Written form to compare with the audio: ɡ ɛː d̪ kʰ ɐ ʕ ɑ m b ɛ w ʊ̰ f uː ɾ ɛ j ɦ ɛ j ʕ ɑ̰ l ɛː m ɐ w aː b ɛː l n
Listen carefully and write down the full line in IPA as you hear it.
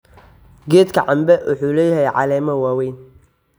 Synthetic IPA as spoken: ɡ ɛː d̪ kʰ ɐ ʕ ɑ m b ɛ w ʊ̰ ħ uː l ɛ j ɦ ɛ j ʕ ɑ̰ l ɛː m ɐ w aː w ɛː n